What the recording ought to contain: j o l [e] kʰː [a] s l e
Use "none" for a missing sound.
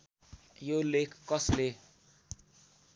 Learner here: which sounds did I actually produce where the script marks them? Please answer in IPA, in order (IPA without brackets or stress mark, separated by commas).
e, ʌ